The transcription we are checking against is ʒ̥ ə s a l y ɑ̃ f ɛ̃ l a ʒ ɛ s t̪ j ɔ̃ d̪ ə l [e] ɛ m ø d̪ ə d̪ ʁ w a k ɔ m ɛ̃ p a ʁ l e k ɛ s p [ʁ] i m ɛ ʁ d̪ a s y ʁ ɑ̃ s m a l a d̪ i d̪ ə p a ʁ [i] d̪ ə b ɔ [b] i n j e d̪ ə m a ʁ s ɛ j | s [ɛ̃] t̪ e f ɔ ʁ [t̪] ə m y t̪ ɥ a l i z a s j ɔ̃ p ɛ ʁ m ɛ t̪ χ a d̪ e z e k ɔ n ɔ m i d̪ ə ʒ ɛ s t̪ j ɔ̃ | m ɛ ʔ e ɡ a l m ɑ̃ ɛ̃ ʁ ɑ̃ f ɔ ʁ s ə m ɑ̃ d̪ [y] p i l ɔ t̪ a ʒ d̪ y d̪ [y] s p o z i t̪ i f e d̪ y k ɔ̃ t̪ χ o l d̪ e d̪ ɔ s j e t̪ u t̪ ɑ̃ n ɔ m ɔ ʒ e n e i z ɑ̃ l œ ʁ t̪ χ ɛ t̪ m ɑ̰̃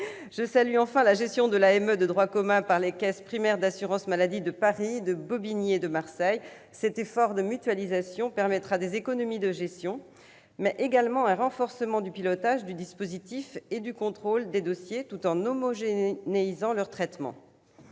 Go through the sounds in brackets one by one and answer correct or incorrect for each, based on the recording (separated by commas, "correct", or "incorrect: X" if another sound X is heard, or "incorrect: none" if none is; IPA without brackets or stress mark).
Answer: incorrect: a, incorrect: χ, correct, correct, incorrect: ɛ, incorrect: d̪, correct, incorrect: i